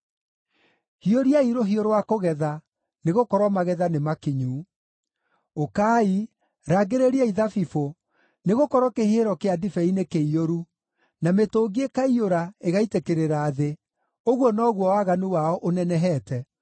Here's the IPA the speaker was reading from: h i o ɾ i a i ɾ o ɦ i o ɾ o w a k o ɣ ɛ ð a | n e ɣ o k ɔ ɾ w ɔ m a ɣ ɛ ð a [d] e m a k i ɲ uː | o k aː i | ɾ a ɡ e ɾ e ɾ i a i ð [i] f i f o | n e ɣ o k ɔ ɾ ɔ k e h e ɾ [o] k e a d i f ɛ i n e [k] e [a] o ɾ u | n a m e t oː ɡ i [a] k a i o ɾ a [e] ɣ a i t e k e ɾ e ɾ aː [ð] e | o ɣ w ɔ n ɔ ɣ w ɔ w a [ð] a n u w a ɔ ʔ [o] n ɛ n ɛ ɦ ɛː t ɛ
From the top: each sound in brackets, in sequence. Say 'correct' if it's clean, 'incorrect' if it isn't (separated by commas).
incorrect, incorrect, incorrect, correct, incorrect, incorrect, correct, correct, incorrect, correct